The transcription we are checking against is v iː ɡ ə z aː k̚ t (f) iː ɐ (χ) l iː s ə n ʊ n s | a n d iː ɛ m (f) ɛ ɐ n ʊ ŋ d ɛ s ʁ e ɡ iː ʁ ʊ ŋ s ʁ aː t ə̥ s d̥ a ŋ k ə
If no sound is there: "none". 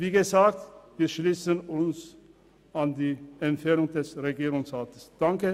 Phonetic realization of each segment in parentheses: v, ʃ, f

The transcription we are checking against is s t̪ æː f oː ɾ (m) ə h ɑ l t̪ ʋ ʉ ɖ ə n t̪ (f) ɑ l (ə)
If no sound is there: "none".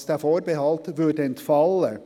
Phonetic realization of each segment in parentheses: b, f, ə

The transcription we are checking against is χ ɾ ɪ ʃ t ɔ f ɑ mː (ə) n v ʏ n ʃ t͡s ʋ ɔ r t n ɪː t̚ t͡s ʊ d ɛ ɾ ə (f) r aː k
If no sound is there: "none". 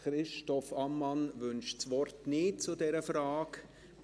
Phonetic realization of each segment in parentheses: ɑ, f

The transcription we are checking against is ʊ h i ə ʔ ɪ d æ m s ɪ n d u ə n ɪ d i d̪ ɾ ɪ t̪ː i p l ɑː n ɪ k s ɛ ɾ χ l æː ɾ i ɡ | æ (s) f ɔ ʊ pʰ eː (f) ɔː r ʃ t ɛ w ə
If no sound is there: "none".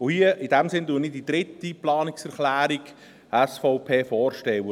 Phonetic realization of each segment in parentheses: s, f

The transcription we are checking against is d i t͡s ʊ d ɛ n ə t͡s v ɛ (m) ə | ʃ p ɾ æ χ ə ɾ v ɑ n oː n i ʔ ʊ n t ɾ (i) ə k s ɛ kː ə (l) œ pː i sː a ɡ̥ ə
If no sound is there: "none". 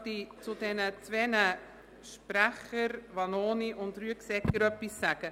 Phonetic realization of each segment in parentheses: n, y, ɾ

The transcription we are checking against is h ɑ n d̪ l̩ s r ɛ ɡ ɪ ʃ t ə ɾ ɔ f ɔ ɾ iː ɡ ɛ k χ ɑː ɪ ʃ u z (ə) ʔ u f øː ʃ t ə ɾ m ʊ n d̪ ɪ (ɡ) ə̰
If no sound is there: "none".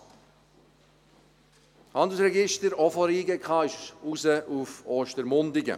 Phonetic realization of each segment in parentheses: ə, ɡ

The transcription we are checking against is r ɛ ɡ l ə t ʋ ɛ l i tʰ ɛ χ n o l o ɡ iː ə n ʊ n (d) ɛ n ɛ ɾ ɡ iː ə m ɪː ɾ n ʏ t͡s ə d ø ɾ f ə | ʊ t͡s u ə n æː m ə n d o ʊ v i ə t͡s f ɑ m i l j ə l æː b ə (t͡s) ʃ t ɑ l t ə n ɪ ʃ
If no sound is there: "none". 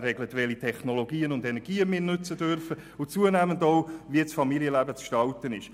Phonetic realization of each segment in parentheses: d, t͡s

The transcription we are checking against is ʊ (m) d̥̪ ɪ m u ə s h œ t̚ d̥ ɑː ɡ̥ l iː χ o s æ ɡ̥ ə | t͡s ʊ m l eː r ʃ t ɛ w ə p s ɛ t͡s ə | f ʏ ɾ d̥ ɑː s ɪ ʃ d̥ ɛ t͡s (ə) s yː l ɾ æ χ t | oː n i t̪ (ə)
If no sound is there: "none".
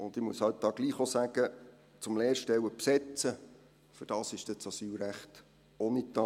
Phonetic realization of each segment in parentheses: n, ɑ, ɑ

